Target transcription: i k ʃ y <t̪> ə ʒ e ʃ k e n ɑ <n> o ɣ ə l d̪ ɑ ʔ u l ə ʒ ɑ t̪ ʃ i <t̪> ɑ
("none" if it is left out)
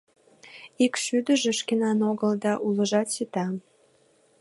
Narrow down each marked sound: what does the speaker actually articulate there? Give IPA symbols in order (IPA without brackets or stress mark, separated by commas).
d̪, n, t̪